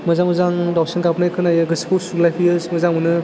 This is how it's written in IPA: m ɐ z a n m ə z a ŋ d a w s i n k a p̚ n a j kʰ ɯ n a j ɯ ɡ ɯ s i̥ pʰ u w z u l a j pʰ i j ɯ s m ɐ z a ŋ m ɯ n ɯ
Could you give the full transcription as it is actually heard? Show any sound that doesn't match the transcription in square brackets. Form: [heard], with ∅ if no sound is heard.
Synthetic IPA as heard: m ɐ z a [ŋ] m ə z a ŋ d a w s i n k a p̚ n a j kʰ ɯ n a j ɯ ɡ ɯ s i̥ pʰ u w [s] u l a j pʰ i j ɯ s m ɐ z a ŋ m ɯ n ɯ